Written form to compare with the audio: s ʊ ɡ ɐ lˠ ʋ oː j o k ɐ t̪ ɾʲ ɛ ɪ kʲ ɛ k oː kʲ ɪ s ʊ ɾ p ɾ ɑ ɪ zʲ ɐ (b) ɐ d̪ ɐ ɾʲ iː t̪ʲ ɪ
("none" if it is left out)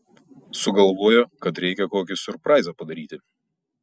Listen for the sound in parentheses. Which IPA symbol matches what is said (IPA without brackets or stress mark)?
p